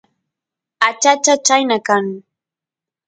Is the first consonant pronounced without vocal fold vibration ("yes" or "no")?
yes